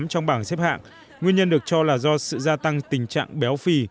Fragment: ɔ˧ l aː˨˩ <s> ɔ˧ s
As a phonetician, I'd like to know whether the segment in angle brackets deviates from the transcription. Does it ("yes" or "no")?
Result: yes